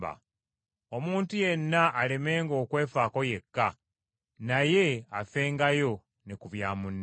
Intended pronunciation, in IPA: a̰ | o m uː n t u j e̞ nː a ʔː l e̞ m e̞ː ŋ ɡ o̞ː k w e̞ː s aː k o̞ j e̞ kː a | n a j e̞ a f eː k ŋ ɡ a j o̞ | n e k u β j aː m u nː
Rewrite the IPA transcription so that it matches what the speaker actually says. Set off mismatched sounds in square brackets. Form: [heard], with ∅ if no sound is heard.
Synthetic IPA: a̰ | o m uː n t u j e̞ nː a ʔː l e̞ m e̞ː ŋ ɡ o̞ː k w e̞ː [f] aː k o̞ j e̞ kː a | n a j e̞ a f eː [∅] ŋ ɡ a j o̞ | n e k u β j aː m u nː